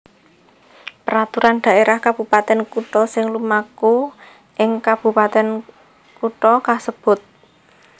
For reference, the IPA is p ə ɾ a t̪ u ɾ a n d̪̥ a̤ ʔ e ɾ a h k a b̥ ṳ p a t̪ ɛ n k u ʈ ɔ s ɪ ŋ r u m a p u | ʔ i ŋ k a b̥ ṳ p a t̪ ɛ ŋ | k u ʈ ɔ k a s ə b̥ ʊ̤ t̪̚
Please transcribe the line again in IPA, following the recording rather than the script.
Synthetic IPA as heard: p ə ɾ a t̪ u ɾ a n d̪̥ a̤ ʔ e ɾ a h k a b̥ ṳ p a t̪ ɛ n k u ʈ ɔ s ɪ ŋ l u m a k u | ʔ ɪ ŋ k a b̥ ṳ p a t̪ ɛ n | k u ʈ ɔ k a s ə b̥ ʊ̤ t̪̚